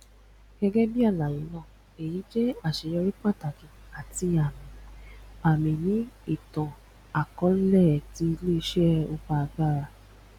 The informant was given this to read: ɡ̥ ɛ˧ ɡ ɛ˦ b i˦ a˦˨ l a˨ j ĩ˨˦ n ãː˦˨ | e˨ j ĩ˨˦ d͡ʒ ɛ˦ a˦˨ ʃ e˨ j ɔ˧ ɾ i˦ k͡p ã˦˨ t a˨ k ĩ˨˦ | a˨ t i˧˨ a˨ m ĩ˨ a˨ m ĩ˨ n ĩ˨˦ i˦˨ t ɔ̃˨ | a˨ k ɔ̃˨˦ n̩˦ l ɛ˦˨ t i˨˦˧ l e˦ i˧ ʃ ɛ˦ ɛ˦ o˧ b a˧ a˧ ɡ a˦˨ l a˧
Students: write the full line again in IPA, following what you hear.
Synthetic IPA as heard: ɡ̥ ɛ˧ ɡ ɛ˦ b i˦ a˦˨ l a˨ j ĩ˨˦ n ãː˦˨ | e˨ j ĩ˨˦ d͡ʒ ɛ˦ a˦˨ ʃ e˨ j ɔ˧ ɾ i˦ k͡p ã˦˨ t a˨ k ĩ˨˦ | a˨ t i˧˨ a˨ m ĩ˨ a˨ m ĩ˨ n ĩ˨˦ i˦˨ t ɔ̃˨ | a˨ k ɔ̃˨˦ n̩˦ l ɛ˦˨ t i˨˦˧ l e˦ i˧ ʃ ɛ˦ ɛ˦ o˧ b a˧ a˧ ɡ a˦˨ ɾ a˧